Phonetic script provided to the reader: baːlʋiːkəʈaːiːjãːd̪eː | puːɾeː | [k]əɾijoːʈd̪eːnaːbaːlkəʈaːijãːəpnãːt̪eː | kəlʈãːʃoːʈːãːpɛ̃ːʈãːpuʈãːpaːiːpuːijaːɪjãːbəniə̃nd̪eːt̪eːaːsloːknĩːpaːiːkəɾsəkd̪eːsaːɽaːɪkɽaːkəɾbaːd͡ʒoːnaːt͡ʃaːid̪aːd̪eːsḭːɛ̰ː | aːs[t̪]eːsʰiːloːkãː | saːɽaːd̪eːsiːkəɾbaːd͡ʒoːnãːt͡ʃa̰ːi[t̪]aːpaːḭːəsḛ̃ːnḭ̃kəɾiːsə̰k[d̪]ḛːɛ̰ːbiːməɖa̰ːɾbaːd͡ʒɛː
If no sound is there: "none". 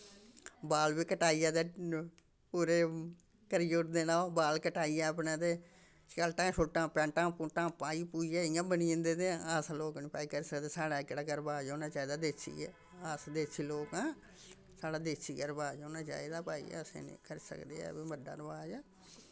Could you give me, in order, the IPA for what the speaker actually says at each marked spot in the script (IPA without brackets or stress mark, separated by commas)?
k, d̪, d̪, d̪